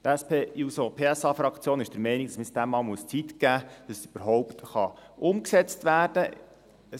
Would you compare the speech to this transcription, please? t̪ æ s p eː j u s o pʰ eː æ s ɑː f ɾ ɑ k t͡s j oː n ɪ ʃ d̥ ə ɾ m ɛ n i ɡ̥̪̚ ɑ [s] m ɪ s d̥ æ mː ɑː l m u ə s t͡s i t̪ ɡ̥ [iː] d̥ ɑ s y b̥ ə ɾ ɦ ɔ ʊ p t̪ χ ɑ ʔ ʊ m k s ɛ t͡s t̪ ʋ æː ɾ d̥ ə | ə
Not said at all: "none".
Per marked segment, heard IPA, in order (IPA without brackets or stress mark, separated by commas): s, æː